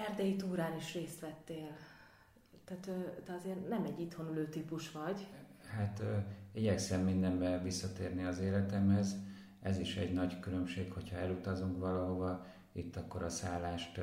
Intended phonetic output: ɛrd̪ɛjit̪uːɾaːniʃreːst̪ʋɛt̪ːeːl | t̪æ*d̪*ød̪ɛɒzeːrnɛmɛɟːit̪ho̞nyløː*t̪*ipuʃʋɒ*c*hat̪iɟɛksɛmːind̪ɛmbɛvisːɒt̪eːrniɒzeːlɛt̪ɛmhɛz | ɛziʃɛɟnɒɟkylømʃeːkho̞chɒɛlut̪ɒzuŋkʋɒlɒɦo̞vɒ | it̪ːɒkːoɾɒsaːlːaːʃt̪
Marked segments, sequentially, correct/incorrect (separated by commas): incorrect, correct, incorrect